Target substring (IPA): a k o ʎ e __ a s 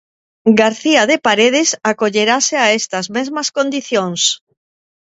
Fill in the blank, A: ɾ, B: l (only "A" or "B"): A